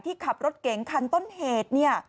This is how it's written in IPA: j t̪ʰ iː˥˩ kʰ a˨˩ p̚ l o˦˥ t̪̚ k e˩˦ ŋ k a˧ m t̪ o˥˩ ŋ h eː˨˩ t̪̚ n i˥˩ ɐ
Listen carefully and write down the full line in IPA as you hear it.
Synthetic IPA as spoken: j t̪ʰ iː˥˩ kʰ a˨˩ p̚ ɾ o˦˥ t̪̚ k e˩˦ ŋ kʰ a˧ n t̪ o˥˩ n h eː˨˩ t̪̚ n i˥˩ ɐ